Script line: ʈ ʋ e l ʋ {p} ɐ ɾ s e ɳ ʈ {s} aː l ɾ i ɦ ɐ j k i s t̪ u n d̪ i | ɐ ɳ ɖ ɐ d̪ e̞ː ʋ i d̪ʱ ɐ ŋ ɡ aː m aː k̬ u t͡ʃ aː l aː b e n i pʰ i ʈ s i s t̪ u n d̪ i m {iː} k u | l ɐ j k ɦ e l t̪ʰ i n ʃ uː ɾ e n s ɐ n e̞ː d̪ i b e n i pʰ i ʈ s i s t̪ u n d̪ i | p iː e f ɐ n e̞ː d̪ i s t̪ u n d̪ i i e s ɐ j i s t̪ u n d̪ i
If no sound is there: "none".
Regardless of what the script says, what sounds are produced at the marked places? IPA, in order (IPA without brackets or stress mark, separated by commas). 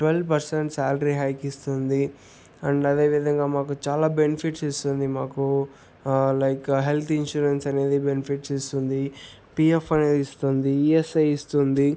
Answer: p, s, aː